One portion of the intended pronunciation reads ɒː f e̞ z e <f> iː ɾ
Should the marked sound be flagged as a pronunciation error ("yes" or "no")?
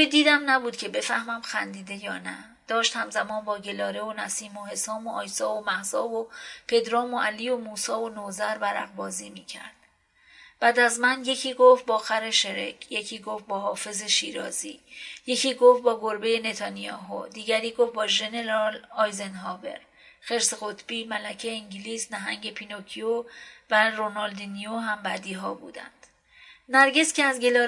yes